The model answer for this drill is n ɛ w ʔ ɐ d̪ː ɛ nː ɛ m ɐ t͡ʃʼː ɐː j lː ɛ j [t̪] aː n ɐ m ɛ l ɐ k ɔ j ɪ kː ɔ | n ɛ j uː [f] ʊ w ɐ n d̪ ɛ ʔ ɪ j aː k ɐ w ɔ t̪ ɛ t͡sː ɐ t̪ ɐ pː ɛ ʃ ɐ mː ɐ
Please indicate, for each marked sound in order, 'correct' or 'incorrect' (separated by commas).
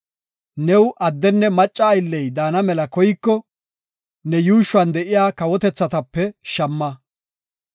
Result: incorrect, incorrect